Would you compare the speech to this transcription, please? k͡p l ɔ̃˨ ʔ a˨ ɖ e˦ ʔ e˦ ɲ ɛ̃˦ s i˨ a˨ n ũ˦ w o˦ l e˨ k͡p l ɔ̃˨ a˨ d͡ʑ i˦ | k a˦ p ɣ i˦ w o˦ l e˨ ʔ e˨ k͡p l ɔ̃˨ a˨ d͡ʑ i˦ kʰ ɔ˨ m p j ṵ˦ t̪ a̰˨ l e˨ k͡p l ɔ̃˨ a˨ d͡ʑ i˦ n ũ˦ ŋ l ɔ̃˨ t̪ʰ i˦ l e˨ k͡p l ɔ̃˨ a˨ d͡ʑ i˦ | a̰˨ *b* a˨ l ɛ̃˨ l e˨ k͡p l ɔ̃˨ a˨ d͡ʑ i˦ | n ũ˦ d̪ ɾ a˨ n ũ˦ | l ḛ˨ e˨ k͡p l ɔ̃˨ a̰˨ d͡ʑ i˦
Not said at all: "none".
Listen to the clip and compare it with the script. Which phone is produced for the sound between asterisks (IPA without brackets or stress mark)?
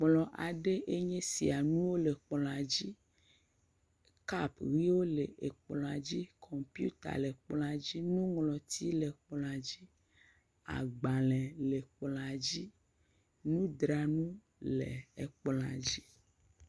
ɡ͡b